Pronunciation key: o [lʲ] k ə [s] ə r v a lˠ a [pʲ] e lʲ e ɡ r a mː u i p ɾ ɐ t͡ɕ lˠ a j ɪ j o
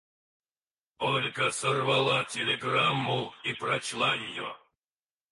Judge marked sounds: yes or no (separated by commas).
yes, yes, no